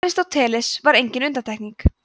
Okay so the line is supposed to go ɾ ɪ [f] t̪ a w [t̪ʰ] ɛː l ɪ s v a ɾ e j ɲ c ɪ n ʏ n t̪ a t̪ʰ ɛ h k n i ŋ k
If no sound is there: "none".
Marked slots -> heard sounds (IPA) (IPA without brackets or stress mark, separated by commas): s, t̪ʰ